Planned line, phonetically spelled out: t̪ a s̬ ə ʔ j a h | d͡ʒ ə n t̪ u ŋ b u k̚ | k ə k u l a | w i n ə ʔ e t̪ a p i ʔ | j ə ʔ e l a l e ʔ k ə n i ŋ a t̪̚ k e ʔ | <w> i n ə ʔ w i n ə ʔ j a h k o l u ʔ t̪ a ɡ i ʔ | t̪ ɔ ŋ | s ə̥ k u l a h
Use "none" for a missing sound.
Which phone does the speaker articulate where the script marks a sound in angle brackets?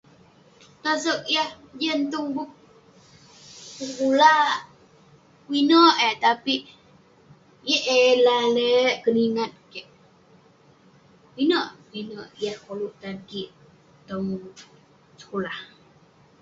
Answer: w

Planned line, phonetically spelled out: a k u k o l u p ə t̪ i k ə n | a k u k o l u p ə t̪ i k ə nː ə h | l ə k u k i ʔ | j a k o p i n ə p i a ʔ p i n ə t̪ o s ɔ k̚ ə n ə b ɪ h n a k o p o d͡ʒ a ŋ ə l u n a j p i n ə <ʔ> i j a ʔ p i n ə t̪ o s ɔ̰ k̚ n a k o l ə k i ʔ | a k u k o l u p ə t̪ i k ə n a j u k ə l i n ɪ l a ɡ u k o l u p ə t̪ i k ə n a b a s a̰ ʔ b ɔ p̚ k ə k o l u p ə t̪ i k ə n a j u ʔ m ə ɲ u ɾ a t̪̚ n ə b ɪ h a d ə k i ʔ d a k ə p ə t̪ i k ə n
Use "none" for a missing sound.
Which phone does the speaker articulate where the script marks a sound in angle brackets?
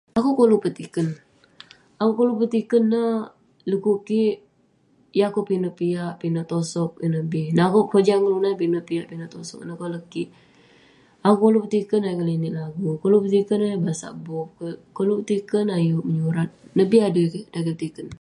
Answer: p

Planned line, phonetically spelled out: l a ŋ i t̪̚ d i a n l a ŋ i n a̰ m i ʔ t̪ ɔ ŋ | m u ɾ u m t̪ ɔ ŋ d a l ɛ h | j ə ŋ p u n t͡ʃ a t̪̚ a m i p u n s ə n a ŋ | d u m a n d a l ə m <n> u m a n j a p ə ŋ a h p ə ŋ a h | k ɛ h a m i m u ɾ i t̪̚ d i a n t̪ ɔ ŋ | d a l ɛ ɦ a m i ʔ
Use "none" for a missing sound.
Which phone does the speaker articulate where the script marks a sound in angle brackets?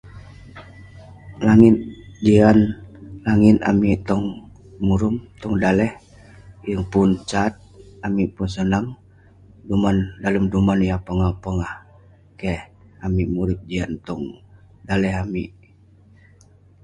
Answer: d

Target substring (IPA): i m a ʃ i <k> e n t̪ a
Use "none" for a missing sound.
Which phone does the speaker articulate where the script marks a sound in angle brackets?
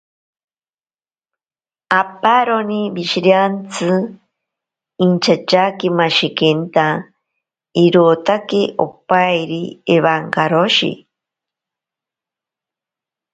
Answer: k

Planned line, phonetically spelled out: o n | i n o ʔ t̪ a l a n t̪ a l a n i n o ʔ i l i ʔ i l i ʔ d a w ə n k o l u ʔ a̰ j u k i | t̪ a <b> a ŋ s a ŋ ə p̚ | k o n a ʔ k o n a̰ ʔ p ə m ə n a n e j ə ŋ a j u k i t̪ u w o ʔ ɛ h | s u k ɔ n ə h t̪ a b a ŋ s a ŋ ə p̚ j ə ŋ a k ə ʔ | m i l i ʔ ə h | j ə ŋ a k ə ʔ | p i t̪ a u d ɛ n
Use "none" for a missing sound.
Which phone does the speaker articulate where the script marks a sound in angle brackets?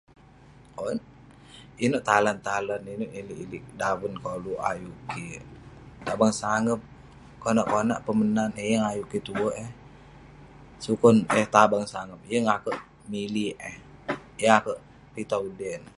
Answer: b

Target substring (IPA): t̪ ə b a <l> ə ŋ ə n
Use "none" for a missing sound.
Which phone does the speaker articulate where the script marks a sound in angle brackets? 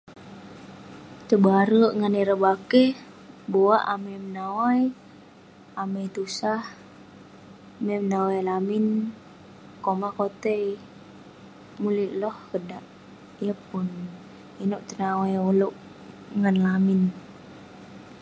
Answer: ɾ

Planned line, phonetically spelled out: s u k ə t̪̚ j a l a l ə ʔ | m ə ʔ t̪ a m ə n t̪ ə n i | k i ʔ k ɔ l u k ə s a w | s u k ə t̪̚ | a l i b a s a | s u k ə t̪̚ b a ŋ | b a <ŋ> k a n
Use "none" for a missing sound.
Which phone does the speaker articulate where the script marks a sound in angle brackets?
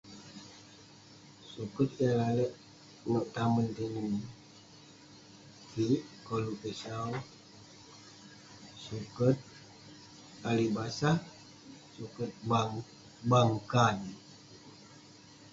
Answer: ŋ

